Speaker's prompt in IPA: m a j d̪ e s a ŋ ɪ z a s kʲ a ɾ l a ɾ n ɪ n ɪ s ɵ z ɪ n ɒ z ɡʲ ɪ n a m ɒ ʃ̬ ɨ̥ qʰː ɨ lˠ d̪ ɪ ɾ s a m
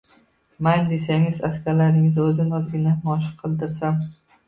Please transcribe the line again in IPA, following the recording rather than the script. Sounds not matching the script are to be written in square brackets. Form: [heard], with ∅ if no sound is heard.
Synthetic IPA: m a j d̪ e s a ŋ ɪ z a s kʲ a ɾ l a ɾ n ɪ [ŋ] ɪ [z] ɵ z ɪ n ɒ z ɡʲ ɪ n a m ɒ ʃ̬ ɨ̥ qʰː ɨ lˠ d̪ ɪ ɾ s a m